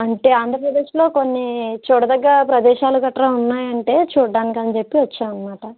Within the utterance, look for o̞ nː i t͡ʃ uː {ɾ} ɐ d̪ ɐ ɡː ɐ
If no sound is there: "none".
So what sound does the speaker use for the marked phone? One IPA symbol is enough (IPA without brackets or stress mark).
ɽ